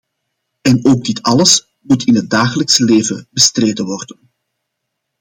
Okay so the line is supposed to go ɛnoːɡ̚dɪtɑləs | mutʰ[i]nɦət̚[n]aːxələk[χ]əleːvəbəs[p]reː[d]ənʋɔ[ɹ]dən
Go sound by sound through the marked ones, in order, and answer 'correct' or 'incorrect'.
incorrect: ɪ, incorrect: d, incorrect: s, incorrect: t, correct, incorrect: r

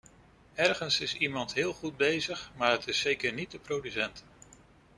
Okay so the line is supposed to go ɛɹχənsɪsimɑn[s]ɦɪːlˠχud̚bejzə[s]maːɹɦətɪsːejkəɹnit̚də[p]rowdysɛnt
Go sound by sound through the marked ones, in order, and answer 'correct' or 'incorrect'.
incorrect: t, incorrect: χ, correct

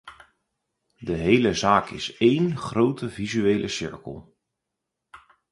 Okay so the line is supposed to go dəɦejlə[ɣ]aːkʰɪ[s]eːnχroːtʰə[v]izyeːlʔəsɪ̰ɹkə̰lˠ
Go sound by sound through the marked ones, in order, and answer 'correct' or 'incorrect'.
incorrect: z, correct, correct

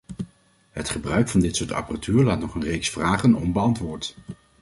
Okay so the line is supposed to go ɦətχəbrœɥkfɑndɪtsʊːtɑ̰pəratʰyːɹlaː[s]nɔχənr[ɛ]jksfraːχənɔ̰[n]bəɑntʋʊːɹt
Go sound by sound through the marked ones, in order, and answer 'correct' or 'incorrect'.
incorrect: t, incorrect: e, incorrect: m

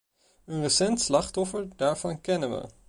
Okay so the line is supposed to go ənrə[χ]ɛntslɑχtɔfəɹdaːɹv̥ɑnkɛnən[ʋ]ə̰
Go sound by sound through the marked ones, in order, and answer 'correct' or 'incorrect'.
incorrect: s, correct

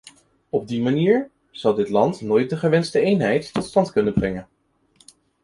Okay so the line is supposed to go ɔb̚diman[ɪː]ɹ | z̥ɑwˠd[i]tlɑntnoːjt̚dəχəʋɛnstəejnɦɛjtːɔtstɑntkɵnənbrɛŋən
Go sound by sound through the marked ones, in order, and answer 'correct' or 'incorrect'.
incorrect: iː, incorrect: ɪ

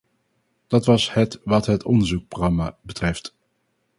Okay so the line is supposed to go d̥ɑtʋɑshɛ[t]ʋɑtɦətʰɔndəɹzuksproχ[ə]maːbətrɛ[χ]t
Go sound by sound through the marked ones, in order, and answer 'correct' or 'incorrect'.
correct, incorrect: ɑ, incorrect: f

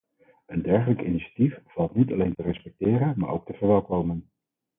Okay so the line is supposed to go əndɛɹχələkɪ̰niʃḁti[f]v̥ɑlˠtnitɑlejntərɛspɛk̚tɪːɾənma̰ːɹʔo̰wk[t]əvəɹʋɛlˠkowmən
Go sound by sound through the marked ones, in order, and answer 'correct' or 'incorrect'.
correct, correct

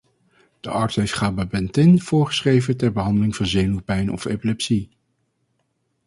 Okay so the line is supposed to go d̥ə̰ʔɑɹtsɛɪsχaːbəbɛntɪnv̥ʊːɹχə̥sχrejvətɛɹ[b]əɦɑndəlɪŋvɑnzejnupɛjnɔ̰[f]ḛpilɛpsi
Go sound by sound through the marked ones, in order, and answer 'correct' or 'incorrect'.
correct, correct

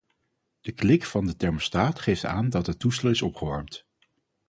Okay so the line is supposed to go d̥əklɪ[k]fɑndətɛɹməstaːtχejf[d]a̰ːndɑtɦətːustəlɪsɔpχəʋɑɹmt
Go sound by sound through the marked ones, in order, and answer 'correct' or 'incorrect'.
correct, incorrect: t

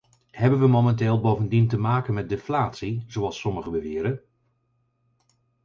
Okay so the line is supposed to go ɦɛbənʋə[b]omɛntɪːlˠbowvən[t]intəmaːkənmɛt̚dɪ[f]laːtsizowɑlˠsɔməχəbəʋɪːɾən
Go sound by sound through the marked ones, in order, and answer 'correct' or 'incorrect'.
incorrect: m, incorrect: d, correct

